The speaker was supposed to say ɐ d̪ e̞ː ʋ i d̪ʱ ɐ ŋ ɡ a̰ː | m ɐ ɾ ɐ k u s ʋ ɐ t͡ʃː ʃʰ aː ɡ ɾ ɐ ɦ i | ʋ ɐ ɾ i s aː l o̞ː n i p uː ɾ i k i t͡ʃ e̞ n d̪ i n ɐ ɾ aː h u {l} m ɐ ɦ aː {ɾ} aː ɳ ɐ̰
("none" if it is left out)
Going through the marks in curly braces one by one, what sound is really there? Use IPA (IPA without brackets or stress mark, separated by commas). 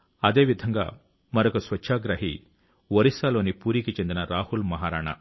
l, ɾ